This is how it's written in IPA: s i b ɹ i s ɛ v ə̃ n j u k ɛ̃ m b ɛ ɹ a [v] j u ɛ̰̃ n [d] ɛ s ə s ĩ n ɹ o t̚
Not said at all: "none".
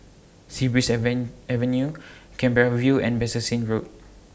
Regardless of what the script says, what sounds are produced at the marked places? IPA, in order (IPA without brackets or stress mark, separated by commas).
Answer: v, b